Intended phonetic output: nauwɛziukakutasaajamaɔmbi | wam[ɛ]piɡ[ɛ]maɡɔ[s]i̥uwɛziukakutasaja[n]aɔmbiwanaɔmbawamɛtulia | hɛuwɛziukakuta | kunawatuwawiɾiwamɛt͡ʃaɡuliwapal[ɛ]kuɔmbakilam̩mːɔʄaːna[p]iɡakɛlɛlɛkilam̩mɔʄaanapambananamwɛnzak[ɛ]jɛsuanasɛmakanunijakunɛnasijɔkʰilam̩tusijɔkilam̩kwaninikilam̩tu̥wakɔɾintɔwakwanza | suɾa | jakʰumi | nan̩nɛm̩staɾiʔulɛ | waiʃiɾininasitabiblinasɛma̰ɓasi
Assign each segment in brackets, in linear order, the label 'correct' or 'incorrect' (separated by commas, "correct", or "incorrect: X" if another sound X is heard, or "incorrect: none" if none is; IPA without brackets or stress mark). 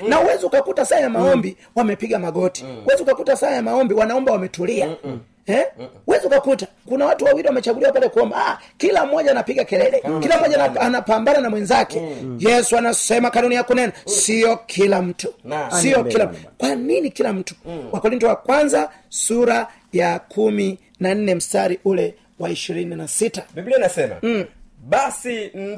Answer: correct, incorrect: a, incorrect: t, incorrect: m, correct, correct, correct